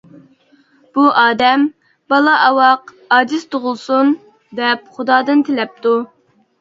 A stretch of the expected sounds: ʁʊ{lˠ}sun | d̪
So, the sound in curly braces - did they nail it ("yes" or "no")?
yes